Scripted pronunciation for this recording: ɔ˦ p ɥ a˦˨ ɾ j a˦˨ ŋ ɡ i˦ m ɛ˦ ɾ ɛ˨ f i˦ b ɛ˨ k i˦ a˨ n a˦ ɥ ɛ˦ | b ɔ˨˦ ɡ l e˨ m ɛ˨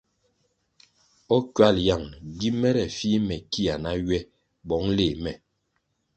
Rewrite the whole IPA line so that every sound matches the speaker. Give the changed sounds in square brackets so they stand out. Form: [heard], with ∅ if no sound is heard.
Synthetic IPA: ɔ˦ [k] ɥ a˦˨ [l] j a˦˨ ŋ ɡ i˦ m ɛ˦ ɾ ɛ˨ f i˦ [m] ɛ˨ k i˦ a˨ n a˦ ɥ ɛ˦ | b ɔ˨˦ [ŋ] l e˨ m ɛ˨